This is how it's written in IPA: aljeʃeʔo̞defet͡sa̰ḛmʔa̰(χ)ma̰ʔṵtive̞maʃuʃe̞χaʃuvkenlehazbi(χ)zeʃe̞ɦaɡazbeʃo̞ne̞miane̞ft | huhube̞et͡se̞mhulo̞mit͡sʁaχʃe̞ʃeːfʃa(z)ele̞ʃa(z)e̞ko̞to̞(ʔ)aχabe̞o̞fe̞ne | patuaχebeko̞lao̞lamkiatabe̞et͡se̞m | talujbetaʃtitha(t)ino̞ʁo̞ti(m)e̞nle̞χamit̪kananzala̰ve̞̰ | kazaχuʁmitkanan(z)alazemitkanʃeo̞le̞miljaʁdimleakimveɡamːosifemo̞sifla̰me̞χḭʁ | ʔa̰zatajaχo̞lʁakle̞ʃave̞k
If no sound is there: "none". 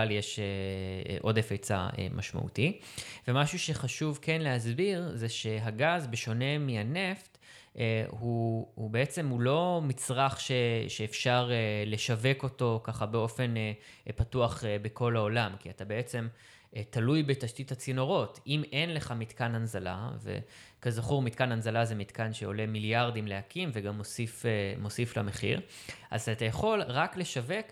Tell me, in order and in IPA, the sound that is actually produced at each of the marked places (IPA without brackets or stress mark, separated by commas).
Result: ʃ, ʁ, ʁ, v, k, t͡s, m, z